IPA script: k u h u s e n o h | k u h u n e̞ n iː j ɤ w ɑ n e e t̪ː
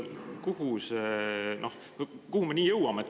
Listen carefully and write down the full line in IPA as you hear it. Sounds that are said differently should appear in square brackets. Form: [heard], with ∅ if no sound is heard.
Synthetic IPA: k u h u s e n o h | k u h u [m] e̞ n iː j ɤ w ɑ [m] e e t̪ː